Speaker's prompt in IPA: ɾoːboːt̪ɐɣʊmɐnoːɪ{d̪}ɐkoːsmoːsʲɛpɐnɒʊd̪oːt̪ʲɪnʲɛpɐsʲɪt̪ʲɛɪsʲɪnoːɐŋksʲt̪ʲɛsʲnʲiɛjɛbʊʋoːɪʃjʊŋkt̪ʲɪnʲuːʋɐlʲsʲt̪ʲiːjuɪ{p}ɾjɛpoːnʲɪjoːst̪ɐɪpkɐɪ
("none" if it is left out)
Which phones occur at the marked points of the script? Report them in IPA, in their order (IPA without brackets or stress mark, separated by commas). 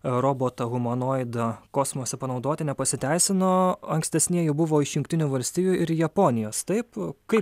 d̪, none